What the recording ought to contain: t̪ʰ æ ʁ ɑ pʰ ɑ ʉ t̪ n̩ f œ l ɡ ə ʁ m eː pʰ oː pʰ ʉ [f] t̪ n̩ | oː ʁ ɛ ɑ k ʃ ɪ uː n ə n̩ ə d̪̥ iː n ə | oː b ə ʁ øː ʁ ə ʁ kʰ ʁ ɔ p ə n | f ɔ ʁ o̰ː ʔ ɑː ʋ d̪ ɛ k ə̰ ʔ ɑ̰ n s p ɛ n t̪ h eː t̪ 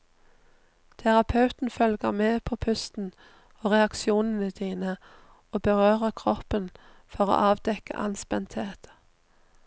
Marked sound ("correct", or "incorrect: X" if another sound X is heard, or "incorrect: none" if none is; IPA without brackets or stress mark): incorrect: s